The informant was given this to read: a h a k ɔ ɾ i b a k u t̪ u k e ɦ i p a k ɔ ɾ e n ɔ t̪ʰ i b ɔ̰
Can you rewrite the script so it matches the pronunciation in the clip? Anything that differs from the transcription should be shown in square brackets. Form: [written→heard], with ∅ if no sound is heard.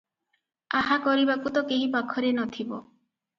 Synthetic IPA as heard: a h a k ɔ ɾ i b a k u t̪ [u→ɔ] k e ɦ i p a [k→kʰ] ɔ ɾ e n ɔ t̪ʰ i b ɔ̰